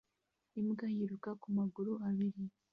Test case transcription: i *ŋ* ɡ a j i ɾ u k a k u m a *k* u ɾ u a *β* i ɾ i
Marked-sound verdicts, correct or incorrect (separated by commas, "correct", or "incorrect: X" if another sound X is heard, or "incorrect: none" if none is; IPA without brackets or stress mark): incorrect: m, incorrect: ɡ, correct